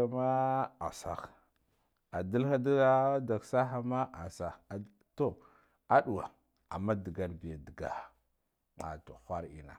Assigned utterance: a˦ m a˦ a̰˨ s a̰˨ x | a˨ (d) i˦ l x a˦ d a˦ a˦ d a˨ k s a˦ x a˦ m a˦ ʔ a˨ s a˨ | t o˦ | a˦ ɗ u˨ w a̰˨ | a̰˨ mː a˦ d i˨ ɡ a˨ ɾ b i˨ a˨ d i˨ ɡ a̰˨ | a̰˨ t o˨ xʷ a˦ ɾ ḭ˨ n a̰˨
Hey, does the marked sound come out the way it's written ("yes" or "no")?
yes